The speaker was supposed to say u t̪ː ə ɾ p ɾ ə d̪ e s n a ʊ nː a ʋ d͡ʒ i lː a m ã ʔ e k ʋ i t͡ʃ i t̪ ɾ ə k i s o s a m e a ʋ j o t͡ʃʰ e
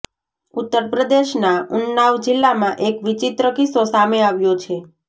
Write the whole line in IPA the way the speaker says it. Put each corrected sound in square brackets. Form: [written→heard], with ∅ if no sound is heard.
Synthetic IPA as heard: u t̪ː ə ɾ p ɾ ə d̪ e [s→ʃ] n a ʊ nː a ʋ d͡ʒ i lː a m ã ʔ e k ʋ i t͡ʃ i t̪ ɾ ə k i s o s a m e a ʋ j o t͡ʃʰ e